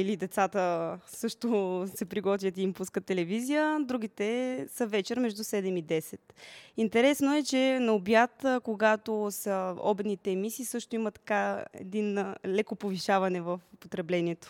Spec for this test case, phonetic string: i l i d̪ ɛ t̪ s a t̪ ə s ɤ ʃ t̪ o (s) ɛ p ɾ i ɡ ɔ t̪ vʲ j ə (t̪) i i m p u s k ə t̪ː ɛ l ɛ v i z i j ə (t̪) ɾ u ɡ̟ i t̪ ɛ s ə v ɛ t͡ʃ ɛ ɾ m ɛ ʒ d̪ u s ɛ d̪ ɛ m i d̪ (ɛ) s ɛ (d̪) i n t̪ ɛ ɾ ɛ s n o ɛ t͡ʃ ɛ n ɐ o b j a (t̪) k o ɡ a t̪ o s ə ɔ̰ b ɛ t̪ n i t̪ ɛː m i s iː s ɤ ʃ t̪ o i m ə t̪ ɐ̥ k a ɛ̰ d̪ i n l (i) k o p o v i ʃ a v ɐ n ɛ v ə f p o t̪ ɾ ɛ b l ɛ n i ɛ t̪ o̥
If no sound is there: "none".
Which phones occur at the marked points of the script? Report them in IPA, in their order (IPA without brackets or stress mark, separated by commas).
s, t̪, d̪, ɛ, t̪, t̪, ɛ